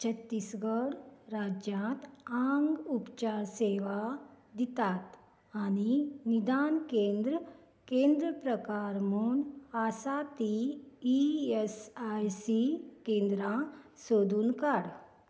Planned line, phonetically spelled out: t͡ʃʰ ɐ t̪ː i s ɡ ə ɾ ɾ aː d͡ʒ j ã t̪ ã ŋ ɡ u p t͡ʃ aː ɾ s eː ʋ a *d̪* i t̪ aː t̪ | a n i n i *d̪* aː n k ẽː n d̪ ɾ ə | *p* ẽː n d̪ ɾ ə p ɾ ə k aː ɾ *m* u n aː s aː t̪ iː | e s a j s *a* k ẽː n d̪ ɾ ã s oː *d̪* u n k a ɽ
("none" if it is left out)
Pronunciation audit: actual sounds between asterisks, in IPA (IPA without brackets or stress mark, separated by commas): d̪, d̪, k, m, i, d̪